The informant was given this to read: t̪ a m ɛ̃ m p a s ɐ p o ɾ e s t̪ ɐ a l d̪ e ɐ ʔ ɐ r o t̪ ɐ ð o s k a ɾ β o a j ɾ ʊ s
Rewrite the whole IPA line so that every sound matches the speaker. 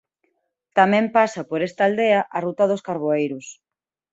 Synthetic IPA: t̪ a m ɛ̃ m p a s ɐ p o ɾ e s t̪ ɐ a l d̪ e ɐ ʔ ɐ r u t̪ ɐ ð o s k a ɾ β o e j ɾ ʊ s